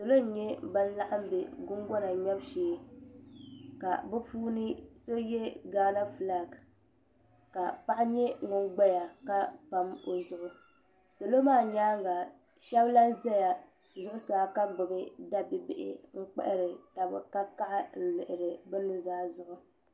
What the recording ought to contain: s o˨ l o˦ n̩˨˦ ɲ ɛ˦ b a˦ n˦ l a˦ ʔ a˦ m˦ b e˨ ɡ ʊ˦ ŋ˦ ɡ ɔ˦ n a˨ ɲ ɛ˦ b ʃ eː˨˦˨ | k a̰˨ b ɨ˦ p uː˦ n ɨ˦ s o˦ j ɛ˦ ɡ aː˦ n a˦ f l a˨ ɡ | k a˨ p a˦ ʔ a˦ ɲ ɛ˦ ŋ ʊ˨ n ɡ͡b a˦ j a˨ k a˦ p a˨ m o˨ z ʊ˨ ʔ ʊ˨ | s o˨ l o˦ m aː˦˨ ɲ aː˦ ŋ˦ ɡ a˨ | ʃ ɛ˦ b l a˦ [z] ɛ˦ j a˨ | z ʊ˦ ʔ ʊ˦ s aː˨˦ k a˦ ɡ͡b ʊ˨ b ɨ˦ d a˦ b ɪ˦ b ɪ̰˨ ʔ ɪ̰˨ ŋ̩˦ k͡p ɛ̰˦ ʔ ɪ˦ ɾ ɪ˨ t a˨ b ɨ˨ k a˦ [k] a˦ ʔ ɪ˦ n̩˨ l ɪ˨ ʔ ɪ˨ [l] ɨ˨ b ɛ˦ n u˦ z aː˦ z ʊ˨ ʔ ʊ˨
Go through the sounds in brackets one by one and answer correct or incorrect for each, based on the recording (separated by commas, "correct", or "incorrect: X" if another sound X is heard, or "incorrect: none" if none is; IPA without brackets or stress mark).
correct, correct, incorrect: ɾ